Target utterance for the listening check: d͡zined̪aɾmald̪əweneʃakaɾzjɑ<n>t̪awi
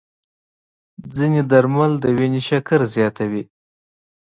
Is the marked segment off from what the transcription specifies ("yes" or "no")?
yes